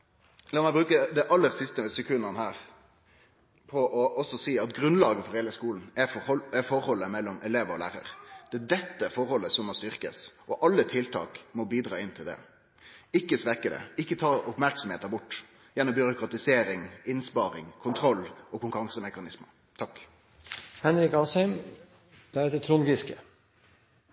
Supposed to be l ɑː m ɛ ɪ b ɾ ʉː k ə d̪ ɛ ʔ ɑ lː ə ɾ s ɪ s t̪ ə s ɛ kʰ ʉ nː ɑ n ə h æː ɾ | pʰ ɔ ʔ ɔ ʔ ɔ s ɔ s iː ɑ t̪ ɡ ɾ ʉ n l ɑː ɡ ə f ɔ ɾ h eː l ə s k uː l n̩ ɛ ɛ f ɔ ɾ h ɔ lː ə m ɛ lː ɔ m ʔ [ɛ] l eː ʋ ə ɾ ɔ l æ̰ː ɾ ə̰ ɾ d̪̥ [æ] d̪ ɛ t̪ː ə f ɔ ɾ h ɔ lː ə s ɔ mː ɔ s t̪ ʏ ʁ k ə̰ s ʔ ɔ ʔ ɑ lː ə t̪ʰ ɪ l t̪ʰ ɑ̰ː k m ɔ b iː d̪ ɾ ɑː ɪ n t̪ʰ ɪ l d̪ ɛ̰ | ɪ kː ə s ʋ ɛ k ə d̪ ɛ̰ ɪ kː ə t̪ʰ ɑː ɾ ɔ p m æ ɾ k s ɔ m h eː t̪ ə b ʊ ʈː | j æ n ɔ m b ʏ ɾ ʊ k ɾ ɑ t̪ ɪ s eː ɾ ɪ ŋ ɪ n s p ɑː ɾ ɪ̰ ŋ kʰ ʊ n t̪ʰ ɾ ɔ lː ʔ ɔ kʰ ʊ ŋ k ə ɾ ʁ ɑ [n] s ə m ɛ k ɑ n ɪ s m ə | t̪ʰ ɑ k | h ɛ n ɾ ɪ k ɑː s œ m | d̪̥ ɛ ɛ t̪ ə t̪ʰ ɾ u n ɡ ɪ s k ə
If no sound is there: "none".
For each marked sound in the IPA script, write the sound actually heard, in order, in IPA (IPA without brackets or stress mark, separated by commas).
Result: ɛ, ɛ, ŋ